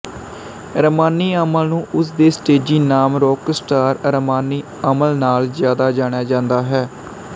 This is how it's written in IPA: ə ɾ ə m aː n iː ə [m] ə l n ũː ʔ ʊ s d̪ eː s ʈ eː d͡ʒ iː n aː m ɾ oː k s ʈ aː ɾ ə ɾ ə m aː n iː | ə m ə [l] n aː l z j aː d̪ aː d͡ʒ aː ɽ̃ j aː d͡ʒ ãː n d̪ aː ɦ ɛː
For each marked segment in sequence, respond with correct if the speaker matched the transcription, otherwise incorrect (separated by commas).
correct, correct